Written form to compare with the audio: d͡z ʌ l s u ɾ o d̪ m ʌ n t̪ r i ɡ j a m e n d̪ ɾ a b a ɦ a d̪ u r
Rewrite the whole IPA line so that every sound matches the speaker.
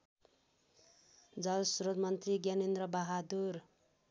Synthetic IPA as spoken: d͡z ʌ l s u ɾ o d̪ m ʌ n t̪ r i ɡ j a n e n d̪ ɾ ʌ b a ɦ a d̪ u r